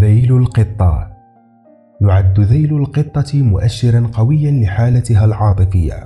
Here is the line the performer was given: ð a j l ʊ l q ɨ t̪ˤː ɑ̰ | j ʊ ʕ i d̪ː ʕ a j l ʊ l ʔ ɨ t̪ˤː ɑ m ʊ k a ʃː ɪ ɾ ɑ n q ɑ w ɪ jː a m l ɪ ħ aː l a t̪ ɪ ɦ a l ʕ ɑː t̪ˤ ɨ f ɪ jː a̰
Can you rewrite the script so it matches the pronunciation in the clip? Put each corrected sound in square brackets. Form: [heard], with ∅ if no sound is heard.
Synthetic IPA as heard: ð a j l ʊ l q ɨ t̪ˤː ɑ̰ | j ʊ ʕ [a] d̪ː [ð] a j l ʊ l [q] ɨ t̪ˤː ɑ m ʊ [ʔ] a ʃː ɪ ɾ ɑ n q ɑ w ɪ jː a [n] l ɪ ħ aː l a t̪ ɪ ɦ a l ʕ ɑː t̪ˤ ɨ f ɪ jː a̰